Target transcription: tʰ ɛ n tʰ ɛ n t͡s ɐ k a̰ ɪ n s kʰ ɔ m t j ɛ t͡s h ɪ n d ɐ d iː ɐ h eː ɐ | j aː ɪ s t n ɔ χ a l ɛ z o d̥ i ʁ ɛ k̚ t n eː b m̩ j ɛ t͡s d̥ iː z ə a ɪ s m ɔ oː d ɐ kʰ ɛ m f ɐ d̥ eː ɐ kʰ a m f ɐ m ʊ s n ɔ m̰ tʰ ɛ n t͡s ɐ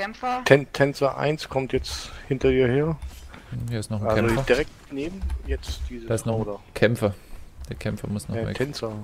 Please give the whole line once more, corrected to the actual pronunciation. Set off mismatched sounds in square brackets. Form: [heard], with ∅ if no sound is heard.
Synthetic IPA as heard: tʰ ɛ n tʰ ɛ n t͡s ɐ [ʔ] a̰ ɪ n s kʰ ɔ m t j ɛ t͡s h ɪ n [t] ɐ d iː ɐ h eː ɐ | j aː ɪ s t n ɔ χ a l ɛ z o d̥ i ʁ ɛ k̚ t n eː b m̩ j ɛ t͡s d̥ iː z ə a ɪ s [n] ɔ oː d ɐ kʰ ɛ m f ɐ d̥ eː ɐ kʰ [ɛ] m f ɐ m ʊ s n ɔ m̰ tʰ ɛ n t͡s ɐ